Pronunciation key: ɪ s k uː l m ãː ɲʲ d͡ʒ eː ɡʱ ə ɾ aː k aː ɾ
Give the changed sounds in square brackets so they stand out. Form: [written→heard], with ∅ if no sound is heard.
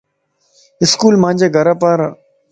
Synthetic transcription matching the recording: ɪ s k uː l m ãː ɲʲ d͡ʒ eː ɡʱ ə ɾ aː [k→p] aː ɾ